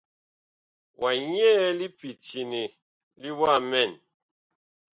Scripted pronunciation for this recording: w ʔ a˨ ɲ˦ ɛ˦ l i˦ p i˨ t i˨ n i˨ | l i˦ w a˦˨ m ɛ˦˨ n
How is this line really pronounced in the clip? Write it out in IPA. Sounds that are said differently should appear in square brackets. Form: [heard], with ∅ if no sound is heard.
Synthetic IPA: w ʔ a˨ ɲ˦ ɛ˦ l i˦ p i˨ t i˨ n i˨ | l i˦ w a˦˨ m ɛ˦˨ n